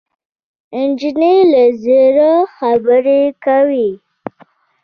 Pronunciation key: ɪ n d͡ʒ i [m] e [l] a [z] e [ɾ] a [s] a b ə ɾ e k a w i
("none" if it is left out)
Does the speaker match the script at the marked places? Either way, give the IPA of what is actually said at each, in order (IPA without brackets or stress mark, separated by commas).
n, l, z, ɾ, x